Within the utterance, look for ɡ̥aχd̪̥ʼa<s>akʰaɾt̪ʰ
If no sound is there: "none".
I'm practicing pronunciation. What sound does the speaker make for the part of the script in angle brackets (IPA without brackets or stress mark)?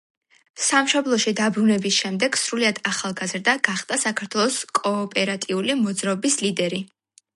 s